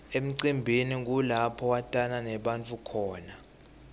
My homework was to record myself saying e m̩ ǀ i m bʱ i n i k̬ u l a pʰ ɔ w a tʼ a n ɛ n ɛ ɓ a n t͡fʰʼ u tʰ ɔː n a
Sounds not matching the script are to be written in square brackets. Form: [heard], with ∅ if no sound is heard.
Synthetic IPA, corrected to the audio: e m̩ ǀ i m bʱ i n i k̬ u l a pʰ ɔ w a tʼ a n [a] n ɛ ɓ a n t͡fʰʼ u [kʰ] ɔː n a